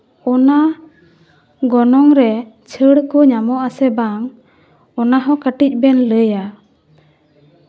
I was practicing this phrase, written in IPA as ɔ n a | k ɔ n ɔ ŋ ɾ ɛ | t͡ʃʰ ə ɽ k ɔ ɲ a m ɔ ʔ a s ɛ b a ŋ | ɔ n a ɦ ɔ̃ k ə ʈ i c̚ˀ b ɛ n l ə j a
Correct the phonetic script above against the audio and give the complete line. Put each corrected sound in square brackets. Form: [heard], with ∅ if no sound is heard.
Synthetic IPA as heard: ɔ n a | [ɡ] ɔ n ɔ ŋ ɾ ɛ | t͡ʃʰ ə ɽ k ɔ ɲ a m ɔ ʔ a s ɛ b a ŋ | ɔ n a ɦ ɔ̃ k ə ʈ i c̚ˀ b ɛ n l ə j a

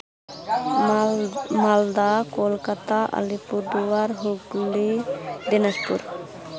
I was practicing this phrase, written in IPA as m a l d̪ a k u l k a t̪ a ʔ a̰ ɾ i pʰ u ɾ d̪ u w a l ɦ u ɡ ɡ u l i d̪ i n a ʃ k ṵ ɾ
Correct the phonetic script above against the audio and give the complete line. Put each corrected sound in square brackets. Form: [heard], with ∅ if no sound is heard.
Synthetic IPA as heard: m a l d̪ a k [o] l k a t̪ a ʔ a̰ [l] i [p] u ɾ d̪ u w a [ɾ] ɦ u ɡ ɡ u l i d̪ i n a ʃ [p] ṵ ɾ

